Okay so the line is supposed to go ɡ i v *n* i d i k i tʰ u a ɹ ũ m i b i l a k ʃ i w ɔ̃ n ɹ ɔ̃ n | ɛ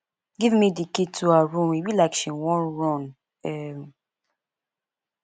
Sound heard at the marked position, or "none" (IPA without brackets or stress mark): m